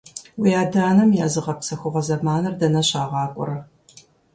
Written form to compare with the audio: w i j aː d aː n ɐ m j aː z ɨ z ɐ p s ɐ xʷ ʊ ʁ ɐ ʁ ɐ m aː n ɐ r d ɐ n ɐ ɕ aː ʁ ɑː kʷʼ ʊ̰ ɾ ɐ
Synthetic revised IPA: w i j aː d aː n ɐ m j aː z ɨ ʁ ɐ p s ɐ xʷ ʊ ʁ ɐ z ɐ m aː n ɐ r d ɐ n ɐ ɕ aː ʁ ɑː kʷʼ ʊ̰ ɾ ɐ